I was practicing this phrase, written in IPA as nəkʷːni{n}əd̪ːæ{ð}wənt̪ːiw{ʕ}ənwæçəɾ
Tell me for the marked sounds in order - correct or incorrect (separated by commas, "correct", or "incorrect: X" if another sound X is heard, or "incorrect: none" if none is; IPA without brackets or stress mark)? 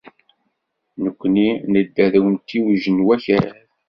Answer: correct, correct, incorrect: ʒ